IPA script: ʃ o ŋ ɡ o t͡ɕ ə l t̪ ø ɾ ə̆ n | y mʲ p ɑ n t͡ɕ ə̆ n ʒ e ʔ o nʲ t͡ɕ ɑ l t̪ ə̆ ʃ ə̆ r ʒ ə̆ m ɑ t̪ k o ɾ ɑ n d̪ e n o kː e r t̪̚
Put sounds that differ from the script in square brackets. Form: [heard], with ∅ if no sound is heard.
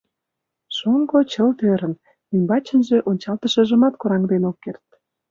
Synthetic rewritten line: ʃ o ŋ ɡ o t͡ɕ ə l t̪ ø ɾ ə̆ n | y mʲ [b] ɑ [∅] t͡ɕ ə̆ n ʒ e ʔ o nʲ t͡ɕ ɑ l t̪ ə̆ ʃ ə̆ [∅] ʒ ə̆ m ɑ t̪ k o ɾ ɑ [ŋ] d̪ e n o kː e r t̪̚